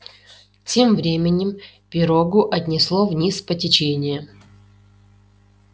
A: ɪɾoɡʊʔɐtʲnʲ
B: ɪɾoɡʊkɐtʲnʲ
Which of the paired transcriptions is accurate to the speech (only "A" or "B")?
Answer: A